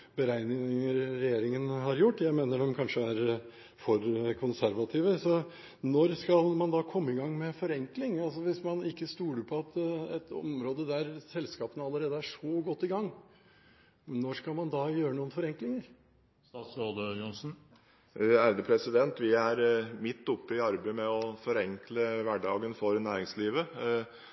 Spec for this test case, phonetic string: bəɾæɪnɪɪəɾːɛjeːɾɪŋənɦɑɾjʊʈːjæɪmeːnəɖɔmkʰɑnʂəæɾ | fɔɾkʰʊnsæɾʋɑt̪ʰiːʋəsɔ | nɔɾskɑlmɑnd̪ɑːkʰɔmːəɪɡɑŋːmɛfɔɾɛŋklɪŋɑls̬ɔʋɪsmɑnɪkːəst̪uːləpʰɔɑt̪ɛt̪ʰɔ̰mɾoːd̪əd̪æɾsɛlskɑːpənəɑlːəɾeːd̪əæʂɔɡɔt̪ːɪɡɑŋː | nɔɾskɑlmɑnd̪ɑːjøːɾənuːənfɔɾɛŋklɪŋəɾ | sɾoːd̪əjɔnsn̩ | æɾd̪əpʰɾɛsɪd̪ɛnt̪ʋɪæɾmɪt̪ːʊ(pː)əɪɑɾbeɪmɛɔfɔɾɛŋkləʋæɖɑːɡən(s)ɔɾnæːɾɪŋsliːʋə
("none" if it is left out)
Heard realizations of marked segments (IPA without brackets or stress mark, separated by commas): pː, f